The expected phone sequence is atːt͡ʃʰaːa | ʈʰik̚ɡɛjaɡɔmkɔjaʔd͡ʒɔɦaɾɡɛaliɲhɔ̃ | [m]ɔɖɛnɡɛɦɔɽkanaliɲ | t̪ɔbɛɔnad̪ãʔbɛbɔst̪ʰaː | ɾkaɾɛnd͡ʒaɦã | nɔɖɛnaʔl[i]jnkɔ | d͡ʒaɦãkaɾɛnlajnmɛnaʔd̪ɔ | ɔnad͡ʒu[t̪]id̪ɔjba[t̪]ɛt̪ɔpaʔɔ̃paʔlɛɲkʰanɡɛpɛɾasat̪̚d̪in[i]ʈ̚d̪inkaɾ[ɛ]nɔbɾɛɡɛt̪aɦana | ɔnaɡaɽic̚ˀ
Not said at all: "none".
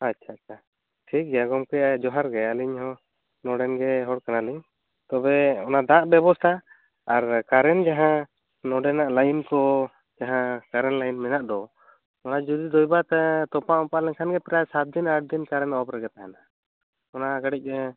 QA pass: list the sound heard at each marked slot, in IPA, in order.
n, a, d̪, t̪, a, ɛ

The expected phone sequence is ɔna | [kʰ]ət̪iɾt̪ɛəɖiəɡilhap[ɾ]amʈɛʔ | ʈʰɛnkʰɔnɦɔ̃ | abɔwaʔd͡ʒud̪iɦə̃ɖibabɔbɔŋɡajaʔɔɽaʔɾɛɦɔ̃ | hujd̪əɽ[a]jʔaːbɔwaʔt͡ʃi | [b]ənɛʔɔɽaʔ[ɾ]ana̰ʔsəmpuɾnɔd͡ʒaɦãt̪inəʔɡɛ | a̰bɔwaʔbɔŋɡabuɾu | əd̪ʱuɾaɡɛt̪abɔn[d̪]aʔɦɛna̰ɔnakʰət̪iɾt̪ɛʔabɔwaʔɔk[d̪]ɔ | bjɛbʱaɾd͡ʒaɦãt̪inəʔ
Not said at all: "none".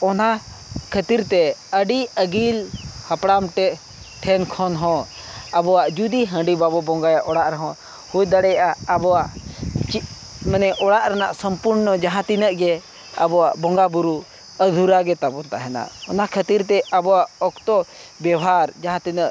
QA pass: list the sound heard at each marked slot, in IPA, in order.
kʰ, ɽ, ɛ, m, ɾ, t̪, t̪

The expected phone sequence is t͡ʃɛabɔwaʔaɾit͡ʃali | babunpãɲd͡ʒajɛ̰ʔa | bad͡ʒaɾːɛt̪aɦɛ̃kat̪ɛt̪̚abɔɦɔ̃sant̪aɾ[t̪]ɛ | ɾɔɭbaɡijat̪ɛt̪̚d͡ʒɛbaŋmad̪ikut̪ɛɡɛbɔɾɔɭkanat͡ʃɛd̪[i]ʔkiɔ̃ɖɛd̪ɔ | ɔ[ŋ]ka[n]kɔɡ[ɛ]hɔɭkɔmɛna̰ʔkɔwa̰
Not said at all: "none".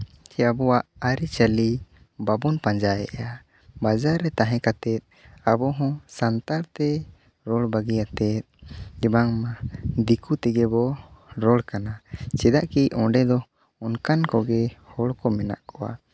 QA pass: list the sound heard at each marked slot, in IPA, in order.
t̪, a, n, n, ɛ

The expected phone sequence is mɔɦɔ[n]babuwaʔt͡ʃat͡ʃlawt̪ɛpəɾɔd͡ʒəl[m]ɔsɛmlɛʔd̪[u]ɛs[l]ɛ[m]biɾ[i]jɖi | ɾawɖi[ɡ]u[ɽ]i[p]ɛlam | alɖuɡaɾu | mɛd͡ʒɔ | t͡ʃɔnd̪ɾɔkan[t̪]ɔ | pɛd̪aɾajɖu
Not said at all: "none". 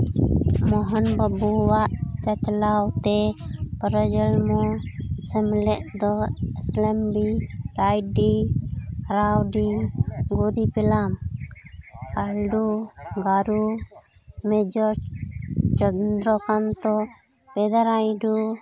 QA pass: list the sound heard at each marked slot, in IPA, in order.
n, m, ɔ, l, m, a, ɡ, ɾ, p, t̪

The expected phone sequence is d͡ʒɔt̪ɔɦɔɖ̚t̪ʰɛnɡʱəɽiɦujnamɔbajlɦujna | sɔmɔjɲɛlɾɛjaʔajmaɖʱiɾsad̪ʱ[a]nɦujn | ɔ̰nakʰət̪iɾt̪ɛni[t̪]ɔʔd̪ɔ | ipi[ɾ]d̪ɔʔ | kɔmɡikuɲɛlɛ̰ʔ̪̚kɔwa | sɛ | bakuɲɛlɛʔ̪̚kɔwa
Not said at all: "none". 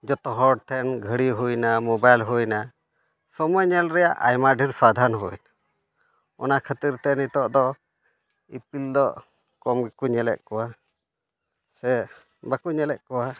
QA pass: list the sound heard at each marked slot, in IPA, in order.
a, t̪, l

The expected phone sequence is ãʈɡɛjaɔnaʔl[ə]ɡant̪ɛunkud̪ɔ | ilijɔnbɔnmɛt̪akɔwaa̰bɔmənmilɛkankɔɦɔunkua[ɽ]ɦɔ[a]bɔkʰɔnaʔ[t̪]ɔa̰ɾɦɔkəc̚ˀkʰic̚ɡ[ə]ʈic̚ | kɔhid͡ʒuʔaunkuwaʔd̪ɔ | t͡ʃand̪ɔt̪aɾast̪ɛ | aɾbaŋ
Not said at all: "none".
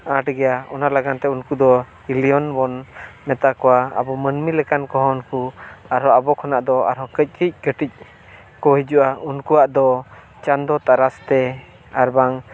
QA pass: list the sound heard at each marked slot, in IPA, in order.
a, ɾ, a, d̪, ə

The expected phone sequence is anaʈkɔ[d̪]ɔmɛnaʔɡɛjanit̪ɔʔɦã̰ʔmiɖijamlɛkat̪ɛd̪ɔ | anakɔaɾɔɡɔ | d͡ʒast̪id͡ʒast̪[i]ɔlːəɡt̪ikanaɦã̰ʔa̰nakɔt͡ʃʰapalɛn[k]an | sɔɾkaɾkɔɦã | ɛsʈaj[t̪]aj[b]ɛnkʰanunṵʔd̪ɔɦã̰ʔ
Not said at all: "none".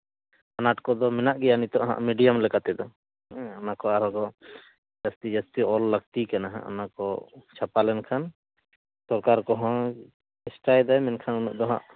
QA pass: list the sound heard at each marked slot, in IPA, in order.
d̪, i, kʰ, d̪, m

